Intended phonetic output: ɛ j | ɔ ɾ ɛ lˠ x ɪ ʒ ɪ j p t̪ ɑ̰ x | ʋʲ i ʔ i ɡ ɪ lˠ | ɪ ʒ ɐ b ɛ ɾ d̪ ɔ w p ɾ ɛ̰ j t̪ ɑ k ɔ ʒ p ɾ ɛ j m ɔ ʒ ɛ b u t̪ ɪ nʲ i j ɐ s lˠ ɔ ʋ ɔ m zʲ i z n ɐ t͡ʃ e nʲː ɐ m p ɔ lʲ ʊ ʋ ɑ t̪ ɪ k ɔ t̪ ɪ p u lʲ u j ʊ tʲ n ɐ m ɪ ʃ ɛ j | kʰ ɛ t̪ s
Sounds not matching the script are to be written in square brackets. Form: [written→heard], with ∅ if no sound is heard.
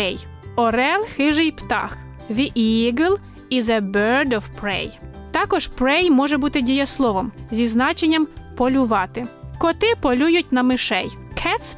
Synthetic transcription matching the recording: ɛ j | ɔ ɾ ɛ lˠ x ɪ ʒ ɪ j p t̪ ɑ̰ x | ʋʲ i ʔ i ɡ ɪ lˠ | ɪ [ʒ→z] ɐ b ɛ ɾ d̪ ɔ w p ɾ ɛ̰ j t̪ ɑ k ɔ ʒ p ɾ ɛ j m ɔ ʒ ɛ b u t̪ ɪ [nʲ→dʲ] i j ɐ s lˠ ɔ ʋ ɔ m zʲ i z n [ɐ→ɑ] t͡ʃ e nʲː ɐ m p ɔ lʲ ʊ ʋ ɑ t̪ ɪ k ɔ t̪ ɪ p [u→ɔ] lʲ u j ʊ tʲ n ɐ m ɪ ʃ ɛ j | kʰ ɛ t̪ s